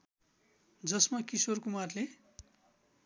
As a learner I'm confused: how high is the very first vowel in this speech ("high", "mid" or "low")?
mid